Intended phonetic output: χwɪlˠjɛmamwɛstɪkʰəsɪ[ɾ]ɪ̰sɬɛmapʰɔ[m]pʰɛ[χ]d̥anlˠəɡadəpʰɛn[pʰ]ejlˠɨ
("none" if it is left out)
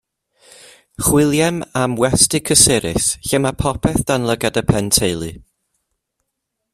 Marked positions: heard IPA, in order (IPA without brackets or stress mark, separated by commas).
ɾ, none, θ, tʰ